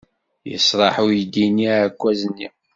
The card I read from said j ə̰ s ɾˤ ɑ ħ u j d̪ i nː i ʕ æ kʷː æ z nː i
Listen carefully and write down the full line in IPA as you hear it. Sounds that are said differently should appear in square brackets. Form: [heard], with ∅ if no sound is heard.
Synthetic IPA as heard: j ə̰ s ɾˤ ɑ ħ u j d̪ i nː i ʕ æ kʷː æ z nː i